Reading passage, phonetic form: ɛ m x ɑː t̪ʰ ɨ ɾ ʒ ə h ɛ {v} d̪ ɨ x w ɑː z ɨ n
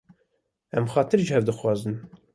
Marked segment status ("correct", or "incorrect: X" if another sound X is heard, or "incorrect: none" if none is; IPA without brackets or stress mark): correct